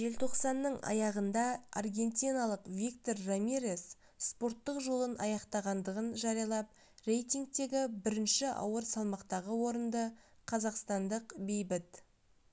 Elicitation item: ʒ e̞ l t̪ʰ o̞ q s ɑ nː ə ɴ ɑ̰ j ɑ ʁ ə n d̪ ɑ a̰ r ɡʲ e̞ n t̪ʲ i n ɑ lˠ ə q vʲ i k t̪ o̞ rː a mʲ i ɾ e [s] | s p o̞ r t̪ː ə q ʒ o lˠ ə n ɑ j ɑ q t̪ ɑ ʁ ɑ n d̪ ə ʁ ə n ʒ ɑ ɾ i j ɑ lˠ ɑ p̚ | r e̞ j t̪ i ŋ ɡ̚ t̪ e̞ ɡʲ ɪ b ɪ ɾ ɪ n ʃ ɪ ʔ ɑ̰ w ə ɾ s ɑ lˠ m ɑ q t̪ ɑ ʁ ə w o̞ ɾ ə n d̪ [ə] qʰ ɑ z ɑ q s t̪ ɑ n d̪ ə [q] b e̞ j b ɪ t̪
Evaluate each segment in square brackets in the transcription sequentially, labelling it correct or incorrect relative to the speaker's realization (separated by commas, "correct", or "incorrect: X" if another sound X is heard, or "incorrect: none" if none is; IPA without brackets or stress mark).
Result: correct, correct, correct